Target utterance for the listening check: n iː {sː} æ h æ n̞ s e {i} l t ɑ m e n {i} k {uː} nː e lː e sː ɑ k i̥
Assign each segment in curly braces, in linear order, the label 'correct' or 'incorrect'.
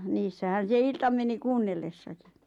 correct, correct, correct, correct

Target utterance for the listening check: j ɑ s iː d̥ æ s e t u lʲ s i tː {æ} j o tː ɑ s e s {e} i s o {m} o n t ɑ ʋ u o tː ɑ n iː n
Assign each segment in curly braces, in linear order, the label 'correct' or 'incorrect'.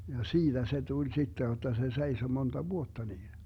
incorrect: e, correct, correct

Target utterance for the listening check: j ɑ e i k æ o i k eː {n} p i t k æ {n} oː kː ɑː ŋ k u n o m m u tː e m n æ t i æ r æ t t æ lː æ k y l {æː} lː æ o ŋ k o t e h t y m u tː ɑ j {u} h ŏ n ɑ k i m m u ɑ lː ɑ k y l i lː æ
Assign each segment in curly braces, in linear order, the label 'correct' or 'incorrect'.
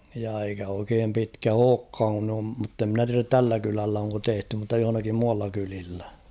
incorrect: m, incorrect: none, incorrect: æ, incorrect: o

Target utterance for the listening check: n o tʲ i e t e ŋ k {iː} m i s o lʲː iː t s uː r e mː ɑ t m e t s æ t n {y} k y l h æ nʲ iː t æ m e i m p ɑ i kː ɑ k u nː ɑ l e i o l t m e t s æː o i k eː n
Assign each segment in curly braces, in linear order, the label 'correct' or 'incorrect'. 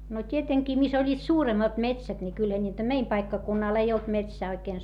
correct, incorrect: i

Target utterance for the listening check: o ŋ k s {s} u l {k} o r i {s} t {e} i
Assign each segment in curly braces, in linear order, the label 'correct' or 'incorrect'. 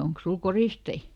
correct, correct, correct, correct

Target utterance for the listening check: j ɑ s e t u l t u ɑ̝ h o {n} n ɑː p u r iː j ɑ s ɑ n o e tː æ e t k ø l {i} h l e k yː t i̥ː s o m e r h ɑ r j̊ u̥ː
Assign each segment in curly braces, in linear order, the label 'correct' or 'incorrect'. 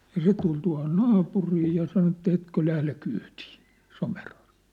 correct, incorrect: æ

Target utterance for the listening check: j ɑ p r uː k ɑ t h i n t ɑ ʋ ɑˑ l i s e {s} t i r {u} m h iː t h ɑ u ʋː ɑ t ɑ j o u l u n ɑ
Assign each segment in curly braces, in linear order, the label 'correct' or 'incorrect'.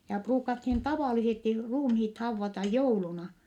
correct, incorrect: uː

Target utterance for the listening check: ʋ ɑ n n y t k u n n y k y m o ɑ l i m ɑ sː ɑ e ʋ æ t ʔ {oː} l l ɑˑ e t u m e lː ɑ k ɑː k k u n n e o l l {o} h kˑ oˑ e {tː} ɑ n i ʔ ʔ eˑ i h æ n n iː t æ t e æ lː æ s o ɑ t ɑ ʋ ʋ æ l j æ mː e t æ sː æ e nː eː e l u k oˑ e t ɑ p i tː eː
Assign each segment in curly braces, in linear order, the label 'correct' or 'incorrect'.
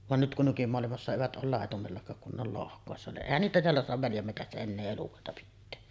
correct, correct, incorrect: sː

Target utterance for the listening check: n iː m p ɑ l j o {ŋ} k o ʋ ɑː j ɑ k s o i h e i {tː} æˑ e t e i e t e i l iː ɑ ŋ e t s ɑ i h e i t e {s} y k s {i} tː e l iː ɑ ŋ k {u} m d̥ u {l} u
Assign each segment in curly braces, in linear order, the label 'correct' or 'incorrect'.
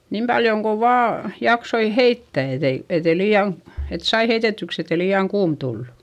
correct, correct, incorrect: t, incorrect: e, incorrect: uː, incorrect: lː

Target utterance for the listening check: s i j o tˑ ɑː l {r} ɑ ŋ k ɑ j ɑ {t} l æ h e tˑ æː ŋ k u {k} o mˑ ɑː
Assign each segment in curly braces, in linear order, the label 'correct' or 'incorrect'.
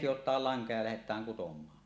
incorrect: l, incorrect: none, incorrect: t

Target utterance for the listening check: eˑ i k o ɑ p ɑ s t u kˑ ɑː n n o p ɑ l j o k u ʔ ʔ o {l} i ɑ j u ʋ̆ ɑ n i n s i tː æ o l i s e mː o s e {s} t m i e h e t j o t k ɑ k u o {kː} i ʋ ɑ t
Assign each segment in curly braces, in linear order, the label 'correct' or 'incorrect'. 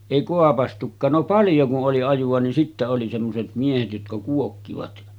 correct, incorrect: none, correct

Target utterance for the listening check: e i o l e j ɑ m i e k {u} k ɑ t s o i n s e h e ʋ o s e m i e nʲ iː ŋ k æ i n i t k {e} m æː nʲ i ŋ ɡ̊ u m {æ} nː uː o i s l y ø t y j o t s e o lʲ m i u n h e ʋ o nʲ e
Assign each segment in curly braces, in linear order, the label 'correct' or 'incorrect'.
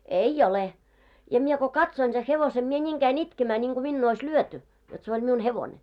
incorrect: o, correct, incorrect: i

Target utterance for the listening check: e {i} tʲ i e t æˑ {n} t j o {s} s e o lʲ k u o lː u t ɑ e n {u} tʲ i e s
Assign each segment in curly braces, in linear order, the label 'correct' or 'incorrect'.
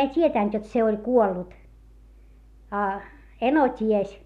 correct, correct, incorrect: t, incorrect: o

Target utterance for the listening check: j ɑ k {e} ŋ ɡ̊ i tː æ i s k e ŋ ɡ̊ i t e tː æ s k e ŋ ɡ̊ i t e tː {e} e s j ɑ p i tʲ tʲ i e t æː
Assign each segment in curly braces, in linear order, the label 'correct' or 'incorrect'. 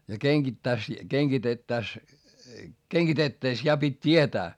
correct, incorrect: æ

